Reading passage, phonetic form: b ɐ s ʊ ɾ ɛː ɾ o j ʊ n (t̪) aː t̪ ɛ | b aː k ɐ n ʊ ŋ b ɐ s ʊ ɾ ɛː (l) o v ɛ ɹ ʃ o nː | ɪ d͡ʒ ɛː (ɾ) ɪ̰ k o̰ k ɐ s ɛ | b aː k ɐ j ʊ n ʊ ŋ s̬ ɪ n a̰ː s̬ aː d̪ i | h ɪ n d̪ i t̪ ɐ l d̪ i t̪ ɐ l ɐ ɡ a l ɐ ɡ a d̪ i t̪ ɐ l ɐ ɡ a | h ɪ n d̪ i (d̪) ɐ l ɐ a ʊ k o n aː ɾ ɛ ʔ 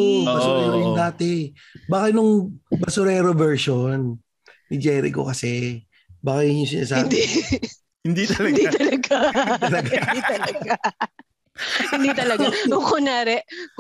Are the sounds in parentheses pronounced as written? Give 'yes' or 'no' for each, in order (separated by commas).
no, no, yes, no